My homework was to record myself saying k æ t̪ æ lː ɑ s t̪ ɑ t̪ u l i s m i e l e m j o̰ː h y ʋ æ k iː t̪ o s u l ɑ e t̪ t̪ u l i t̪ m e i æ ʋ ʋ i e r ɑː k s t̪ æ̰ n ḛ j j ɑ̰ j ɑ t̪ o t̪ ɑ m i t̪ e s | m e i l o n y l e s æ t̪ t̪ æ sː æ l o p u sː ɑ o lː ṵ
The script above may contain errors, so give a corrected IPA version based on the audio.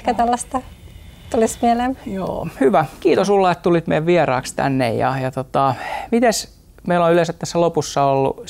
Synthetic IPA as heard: k æ t̪ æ lː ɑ s t̪ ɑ t̪ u l i s m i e l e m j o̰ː h y ʋ æ k iː t̪ o s u lː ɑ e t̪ t̪ u l i t̪ m e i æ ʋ ʋ i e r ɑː k s t̪ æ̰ nː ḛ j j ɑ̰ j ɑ t̪ o t̪ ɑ m i t̪ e s | m e i l o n y l e s æ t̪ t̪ æ sː æ l o p u sː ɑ o lː ṵ